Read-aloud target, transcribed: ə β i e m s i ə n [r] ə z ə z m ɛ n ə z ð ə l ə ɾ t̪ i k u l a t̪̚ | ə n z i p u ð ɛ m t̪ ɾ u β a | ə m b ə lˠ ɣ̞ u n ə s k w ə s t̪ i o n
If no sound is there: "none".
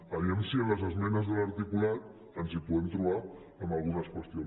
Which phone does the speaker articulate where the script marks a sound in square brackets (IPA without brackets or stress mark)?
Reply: l